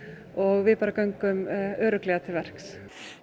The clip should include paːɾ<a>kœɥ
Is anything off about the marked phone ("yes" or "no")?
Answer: no